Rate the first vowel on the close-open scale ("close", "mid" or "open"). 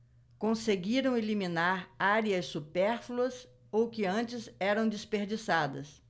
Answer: mid